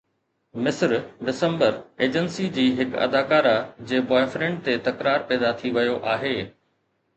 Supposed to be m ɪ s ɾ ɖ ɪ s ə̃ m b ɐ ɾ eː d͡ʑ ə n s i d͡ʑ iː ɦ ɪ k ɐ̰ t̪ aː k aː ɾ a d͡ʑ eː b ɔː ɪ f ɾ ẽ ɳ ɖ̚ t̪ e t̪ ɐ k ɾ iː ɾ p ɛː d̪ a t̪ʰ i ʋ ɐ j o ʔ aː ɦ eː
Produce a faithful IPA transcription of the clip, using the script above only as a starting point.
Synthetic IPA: m ɪ s ɾ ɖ ɪ s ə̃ m b ə ɾ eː d͡ʑ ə n s i d͡ʑ iː ɦ ɪ k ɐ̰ d̪ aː k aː ɾ a d͡ʑ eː b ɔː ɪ f ɾ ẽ ɳ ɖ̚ t̪ e t̪ ɐ k ɾ aː ɾ p ɛː d̪ a t̪ʰ i ʋ ɐ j o ʔ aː ɦ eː